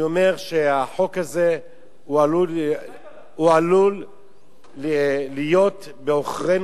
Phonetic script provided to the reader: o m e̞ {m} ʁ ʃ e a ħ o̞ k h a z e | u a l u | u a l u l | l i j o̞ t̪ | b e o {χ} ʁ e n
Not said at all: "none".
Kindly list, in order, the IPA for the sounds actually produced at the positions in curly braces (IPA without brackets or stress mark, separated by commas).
none, χ